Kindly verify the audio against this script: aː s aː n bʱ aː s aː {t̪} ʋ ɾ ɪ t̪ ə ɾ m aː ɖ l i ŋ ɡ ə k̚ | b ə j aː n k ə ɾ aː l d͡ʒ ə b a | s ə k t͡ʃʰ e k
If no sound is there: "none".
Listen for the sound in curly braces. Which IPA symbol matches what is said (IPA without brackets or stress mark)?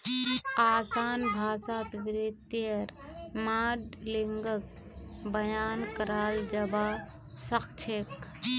t̪